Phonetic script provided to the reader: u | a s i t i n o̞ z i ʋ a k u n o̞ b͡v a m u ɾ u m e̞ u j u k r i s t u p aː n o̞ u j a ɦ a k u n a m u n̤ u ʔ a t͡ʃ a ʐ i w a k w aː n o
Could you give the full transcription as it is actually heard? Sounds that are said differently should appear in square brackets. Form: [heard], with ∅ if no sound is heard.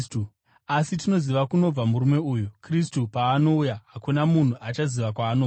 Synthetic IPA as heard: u | a s i t i n o̞ z i ʋ a k u n o̞ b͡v a m u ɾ u m e̞ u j u k r i s t u p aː n o̞ u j a ɦ a k u n a m u n̤ u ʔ a t͡ʃ a [z] i [ʋ] a k w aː n o